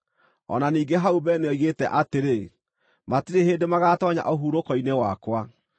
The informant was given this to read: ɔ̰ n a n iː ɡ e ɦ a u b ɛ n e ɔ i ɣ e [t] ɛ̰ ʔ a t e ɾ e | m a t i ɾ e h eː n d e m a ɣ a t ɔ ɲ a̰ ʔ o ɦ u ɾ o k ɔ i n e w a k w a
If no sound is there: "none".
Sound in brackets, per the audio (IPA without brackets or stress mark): t